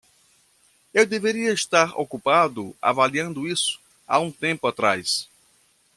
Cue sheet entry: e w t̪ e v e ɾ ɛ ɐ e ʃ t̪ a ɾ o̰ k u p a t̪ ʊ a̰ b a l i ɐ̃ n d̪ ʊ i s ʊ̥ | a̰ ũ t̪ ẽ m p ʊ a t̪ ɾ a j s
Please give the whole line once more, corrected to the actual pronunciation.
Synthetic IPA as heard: e w d̪ e v e ɾ i ɐ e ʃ t̪ a ɾ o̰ k u p a d̪ ʊ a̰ v a l i ɐ̃ n d̪ ʊ i s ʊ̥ | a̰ ũ t̪ ẽ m p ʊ a t̪ ɾ a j s